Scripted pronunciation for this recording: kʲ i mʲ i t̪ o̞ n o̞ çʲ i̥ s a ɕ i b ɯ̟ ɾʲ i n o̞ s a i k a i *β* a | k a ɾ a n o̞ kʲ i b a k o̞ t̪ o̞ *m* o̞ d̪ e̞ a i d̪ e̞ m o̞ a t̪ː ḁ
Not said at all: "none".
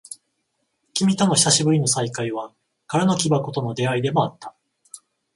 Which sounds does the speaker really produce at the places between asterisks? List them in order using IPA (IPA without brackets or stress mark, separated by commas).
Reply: β, n